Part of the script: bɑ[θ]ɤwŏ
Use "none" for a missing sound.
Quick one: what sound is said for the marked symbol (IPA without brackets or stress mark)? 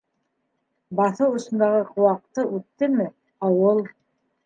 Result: θ